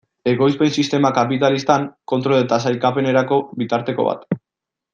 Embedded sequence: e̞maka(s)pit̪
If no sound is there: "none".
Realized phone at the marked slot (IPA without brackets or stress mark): none